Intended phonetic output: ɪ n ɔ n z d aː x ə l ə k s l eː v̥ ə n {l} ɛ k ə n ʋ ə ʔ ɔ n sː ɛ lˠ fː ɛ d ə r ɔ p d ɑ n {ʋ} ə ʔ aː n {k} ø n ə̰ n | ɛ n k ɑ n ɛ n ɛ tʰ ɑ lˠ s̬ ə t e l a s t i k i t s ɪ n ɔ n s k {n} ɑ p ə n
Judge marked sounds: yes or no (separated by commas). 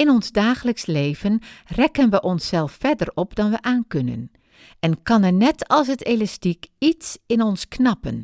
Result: no, yes, yes, yes